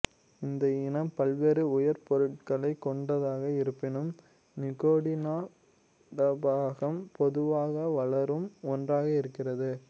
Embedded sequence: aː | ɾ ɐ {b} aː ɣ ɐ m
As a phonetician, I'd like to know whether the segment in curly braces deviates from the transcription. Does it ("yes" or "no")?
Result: no